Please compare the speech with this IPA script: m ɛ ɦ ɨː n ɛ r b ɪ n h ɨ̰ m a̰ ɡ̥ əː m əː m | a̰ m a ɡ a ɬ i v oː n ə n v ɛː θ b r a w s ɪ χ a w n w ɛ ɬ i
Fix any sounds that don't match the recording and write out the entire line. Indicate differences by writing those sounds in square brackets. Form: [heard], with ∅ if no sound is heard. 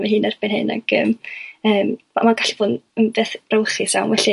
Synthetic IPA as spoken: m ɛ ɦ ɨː n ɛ r b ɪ n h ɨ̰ [n] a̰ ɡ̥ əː m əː m | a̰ m a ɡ a ɬ i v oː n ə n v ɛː θ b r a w [χ] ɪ [s] a w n w ɛ ɬ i

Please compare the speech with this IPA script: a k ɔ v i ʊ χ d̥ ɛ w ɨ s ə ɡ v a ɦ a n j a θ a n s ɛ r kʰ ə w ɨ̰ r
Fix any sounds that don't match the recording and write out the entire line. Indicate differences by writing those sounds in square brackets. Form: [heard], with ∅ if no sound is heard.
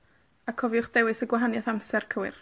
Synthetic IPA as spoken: a [kʰ] ɔ v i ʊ χ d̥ ɛ w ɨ s ə ɡ [w] a ɦ a n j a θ a [m] s ɛ r kʰ ə w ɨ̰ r

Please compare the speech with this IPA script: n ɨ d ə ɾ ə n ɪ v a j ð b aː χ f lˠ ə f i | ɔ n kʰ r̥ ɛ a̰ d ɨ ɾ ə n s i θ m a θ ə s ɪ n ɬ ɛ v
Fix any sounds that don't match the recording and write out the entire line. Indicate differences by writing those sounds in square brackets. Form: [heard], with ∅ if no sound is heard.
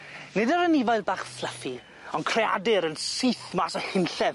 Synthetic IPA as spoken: n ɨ d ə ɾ ə n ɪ v a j ð b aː χ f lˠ ə f i | ɔ n kʰ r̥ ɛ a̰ d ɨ ɾ ə n s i θ m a [s] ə [h] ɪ n ɬ ɛ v

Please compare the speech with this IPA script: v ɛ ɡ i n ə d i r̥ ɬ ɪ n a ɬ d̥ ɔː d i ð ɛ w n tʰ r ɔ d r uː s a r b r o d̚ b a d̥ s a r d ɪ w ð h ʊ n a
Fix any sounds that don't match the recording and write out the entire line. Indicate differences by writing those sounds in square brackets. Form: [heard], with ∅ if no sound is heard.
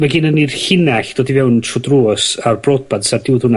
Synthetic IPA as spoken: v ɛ ɡ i n ə [n] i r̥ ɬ ɪ n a ɬ d̥ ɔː d i [v] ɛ w n tʰ r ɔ d r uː s a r b r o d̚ b a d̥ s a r d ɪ w ð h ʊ n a

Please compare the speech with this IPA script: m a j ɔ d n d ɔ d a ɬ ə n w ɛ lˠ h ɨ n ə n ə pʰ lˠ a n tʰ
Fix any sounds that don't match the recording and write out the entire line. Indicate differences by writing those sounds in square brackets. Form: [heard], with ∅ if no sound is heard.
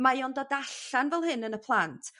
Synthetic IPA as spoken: m a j ɔ [∅] n d ɔ d a ɬ [a] n [v] ɛ lˠ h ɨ n ə n ə pʰ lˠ a n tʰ

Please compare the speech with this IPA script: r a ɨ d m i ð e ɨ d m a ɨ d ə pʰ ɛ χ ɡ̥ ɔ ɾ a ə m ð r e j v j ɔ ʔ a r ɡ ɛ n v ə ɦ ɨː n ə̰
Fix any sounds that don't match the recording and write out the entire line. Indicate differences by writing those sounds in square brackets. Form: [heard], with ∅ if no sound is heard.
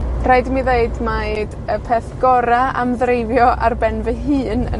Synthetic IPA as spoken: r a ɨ d m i ð e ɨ d m a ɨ d ə pʰ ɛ [θ] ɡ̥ ɔ ɾ a [a] m ð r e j v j ɔ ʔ a r [b] ɛ n v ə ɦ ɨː n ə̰

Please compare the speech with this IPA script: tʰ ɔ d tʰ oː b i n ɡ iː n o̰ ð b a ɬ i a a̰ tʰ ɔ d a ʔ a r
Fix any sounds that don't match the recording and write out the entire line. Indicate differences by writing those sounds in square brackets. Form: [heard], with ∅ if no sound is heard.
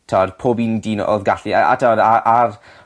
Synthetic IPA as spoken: tʰ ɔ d [pʰ] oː b i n [d] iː n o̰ ð [ɡ] a ɬ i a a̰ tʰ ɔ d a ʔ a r

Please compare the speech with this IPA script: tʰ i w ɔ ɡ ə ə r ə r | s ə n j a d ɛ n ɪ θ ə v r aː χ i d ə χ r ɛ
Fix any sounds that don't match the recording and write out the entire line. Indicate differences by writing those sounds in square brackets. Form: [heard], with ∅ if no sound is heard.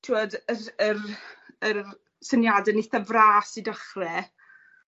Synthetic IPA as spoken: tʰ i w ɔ [d] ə ə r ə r | s ə n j a d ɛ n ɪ θ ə v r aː [s] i d ə χ r ɛ

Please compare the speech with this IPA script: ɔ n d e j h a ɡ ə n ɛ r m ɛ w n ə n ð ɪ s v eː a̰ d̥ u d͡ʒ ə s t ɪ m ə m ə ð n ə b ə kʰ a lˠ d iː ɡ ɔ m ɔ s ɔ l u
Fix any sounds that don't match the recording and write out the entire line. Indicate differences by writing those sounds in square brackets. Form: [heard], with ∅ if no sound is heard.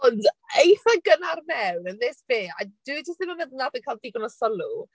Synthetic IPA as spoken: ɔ n d e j [θ] a ɡ ə n [a] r m ɛ w n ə n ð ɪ s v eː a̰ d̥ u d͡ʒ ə s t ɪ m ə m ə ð n [a] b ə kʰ a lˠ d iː ɡ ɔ [n] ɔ s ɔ l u

